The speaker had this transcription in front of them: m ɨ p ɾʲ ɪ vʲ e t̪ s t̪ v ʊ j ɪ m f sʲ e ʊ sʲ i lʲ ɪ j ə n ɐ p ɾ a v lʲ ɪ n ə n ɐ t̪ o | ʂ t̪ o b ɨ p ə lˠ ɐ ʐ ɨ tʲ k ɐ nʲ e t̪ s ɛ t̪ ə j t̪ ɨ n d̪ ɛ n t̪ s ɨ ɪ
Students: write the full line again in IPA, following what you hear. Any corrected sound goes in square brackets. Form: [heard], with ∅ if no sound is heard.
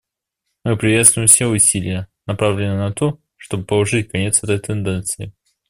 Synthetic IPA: m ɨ p ɾʲ ɪ vʲ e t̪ s t̪ v ʊ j ɪ m f sʲ e ʊ sʲ i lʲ ɪ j ə n ɐ p ɾ a v lʲ ɪ n ə n ɐ t̪ o | ʂ t̪ o b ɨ p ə lˠ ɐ ʐ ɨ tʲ k ɐ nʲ e t̪ s ɛ t̪ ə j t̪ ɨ n d̪ ɛ n t̪ s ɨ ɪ